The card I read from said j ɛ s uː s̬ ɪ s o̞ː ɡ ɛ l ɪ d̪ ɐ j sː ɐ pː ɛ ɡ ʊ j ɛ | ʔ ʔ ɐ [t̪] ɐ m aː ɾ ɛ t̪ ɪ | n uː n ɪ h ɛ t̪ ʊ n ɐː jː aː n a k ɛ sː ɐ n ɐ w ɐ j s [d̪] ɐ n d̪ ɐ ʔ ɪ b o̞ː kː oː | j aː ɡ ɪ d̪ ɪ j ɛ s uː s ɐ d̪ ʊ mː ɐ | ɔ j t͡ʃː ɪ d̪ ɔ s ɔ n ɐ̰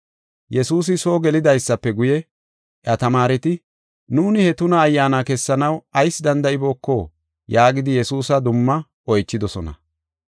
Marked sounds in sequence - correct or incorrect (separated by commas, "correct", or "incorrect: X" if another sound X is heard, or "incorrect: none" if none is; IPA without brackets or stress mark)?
correct, correct